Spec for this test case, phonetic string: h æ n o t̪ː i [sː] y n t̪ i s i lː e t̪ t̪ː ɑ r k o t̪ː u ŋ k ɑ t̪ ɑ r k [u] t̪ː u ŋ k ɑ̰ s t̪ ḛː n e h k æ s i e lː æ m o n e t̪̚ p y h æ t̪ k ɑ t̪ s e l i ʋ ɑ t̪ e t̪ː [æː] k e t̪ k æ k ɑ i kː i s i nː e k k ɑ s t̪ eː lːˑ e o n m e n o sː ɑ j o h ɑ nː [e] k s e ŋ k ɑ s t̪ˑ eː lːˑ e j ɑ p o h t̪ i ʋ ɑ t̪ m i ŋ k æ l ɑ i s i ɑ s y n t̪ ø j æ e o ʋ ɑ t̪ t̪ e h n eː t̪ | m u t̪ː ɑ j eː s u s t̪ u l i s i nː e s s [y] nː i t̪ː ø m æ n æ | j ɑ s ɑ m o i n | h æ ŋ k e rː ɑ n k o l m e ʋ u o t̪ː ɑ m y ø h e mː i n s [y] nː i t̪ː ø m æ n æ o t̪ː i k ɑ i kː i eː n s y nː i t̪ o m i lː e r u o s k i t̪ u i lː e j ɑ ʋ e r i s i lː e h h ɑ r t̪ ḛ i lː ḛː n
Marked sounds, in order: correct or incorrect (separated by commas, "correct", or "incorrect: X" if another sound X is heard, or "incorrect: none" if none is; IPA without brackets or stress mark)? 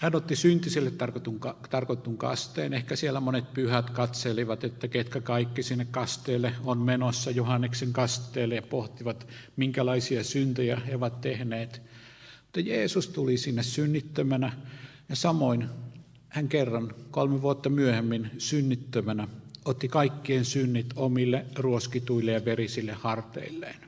incorrect: s, incorrect: o, incorrect: æ, correct, correct, correct